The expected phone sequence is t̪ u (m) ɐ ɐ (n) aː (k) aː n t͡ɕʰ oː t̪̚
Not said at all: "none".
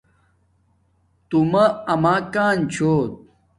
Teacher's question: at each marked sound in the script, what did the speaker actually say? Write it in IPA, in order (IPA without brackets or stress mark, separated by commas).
m, m, k